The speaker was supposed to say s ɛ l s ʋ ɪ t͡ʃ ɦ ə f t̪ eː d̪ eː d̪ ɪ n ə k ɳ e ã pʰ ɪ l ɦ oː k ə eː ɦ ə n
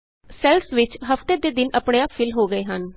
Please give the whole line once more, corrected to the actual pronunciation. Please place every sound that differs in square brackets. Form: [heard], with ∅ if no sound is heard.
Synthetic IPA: s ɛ l s ʋ ɪ t͡ʃ ɦ ə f t̪ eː d̪ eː d̪ ɪ n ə [p] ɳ e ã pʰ ɪ l ɦ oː [ɡ] ə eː ɦ ə n